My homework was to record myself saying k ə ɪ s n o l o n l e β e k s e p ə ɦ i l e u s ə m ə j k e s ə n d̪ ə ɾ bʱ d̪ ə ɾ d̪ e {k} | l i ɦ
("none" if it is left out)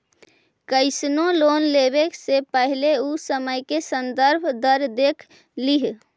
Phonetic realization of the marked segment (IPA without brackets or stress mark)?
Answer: kʰ